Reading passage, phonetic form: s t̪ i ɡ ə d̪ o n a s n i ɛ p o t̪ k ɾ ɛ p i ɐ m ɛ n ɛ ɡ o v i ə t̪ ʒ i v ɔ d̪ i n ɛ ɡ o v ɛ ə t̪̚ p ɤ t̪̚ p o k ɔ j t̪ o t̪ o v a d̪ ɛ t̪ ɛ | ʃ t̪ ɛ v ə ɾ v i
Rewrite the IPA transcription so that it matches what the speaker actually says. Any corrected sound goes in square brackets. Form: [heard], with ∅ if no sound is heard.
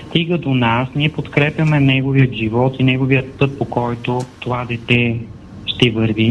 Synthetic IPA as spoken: s t̪ i ɡ ə d̪ o n a s n i ɛ p o t̪ k ɾ ɛ p [j] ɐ m ɛ n ɛ ɡ o v i ə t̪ ʒ i v ɔ [t̪] i n ɛ ɡ o v [i] ə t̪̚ p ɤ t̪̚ p o k ɔ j t̪ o t̪ o v a d̪ ɛ t̪ ɛ | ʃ t̪ ɛ v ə ɾ v i